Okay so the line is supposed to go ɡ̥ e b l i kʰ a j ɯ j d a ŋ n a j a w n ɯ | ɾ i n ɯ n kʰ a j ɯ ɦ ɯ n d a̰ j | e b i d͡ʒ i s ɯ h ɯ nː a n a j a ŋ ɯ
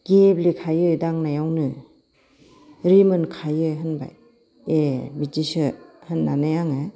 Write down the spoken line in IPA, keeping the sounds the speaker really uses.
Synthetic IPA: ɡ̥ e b l i kʰ a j ɯ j d a ŋ n a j a w n ɯ | ɾ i m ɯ n kʰ a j ɯ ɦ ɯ n b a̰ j | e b i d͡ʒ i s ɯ h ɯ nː a n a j a ŋ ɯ